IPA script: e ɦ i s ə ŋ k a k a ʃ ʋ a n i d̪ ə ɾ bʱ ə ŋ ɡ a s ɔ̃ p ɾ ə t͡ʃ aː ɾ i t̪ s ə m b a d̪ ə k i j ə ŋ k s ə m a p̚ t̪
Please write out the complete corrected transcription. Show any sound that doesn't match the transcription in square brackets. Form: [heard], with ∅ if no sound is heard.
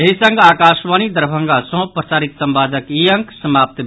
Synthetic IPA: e ɦ i s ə ŋ [ɡ] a k a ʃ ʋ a n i d̪ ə ɾ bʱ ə ŋ ɡ a s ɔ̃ p ɾ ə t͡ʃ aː ɾ i t̪ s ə m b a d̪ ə k i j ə ŋ k s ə m a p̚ t̪